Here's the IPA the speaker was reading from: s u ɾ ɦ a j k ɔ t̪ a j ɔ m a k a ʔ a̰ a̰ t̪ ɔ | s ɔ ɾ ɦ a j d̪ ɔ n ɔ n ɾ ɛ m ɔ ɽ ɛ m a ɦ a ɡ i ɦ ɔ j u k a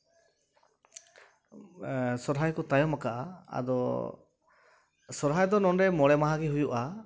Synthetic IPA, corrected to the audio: s ɔ ɾ ɦ a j k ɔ t̪ a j ɔ m a k a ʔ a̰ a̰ d̪ ɔ | s ɔ ɾ ɦ a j d̪ ɔ n ɔ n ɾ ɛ m ɔ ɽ ɛ m a ɦ a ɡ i ɦ u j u ʔ a

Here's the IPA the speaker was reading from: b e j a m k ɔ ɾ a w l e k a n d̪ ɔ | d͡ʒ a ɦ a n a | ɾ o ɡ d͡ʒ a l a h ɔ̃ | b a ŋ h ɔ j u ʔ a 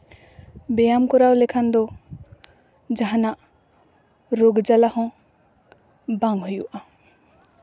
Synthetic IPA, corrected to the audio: b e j a m k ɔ ɾ a w l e kʰ a n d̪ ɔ | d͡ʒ a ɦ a n a | ɾ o ɡ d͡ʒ a l a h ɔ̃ | b a ŋ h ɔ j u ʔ a

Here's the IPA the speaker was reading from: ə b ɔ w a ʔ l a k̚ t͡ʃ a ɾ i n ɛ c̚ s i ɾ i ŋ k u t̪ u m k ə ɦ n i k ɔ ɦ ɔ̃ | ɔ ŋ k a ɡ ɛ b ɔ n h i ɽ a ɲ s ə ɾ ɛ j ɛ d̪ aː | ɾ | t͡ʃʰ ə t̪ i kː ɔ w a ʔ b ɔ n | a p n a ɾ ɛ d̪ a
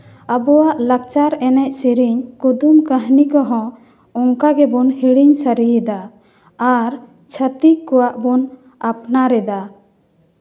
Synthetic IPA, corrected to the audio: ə b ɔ w a ʔ l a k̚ t͡ʃ a ɾ ɛ n ɛ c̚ s i ɾ i ɲ k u d̪ u m k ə ɦ n i k ɔ ɦ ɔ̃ | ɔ ŋ k a ɡ ɛ b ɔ n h i ɽ i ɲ s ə ɾ i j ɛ d̪ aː | ɾ | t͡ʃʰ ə t̪ i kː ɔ w a ʔ b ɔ n | a p n a ɾ ɛ d̪ a

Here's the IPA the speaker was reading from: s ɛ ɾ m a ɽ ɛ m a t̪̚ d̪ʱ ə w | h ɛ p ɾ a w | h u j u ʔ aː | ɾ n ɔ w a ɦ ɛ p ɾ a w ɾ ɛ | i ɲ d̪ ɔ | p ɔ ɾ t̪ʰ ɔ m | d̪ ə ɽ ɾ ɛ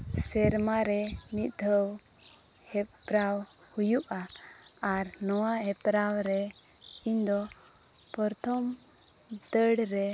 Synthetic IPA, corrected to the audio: s ɛ ɾ m a ɾ ɛ m i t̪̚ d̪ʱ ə w | h ɛ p ɾ a w | h u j u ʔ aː | ɾ n ɔ w a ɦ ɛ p ɾ a w ɾ ɛ | i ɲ d̪ ɔ | p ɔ ɾ t̪ʰ ɔ m | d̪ ə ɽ ɾ ɛ

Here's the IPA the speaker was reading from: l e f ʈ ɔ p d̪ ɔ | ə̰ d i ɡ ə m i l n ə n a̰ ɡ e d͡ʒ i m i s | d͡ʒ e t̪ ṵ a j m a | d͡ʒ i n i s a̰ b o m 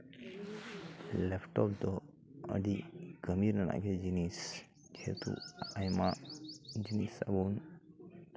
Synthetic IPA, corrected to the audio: l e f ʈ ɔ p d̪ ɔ | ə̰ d i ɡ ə m i ɾ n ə n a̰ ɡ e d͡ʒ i n i s | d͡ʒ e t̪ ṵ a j m a | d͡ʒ i n i s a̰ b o n

